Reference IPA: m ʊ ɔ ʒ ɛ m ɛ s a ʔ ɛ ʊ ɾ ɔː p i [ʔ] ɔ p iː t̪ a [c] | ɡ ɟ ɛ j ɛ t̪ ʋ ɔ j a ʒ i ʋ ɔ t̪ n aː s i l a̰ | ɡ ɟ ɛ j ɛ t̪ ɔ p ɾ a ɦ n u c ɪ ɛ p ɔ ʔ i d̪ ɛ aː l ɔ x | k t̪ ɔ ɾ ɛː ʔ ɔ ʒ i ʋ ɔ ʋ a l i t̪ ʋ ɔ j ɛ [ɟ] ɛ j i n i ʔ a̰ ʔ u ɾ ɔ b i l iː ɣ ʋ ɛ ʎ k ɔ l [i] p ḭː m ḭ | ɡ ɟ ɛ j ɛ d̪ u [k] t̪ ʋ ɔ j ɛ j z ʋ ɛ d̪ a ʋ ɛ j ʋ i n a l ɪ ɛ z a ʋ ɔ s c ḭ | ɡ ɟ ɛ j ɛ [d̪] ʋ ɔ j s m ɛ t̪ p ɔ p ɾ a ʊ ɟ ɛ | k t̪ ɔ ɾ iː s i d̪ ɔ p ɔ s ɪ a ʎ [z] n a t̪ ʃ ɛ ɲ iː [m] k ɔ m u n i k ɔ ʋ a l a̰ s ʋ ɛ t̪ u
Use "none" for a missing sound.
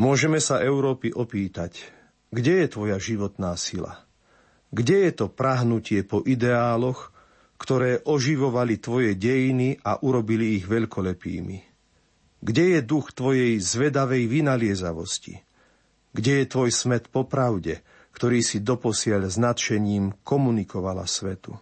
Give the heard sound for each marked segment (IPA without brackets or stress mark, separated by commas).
ʔ, c, ɟ, ɛ, x, t̪, z, m